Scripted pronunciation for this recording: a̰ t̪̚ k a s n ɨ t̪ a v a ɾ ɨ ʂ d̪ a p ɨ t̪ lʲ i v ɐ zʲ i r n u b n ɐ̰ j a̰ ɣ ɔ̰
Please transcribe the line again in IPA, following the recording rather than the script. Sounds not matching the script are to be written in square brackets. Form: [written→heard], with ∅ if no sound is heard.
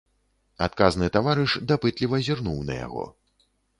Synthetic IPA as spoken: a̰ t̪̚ k a [s→z] n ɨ t̪ a v a ɾ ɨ ʂ d̪ a p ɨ t̪ lʲ i v ɐ zʲ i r n u [b→w] n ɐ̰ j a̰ ɣ ɔ̰